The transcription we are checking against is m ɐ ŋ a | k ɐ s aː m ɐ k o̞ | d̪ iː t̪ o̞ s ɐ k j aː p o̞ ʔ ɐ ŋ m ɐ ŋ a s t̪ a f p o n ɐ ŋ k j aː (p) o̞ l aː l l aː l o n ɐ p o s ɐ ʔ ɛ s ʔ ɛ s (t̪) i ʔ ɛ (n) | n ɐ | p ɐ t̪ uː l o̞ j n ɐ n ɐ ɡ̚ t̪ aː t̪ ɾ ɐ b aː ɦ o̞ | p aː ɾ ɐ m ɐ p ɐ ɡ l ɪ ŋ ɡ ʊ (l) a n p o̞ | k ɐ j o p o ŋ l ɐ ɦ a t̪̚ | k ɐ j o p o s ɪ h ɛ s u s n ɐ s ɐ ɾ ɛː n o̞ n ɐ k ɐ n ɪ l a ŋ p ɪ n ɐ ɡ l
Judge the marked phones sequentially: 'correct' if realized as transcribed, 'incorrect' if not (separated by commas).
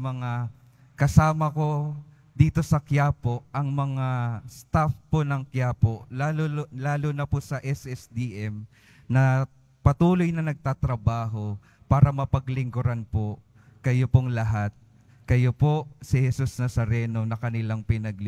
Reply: correct, incorrect, incorrect, incorrect